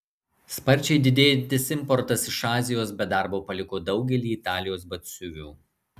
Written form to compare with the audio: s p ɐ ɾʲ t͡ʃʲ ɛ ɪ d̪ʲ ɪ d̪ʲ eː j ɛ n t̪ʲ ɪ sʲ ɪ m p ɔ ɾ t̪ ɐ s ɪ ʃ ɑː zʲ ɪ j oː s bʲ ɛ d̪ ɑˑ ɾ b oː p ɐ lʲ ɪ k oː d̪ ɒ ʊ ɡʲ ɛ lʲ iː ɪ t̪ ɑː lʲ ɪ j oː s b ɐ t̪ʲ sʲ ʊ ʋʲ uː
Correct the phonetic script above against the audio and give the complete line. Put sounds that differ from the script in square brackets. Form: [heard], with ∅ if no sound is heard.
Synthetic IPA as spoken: s p ɐ ɾʲ t͡ʃʲ ɛ ɪ d̪ʲ ɪ d̪ʲ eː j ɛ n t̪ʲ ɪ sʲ ɪ m p ɔ ɾ t̪ ɐ s ɪ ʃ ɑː zʲ ɪ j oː s bʲ ɛ d̪ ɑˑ ɾ b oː p ɐ lʲ ɪ k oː d̪ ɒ ʊ ɡʲ ɛ lʲ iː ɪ t̪ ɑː lʲ ɪ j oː s b ɐ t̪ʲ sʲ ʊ ʋʲ uː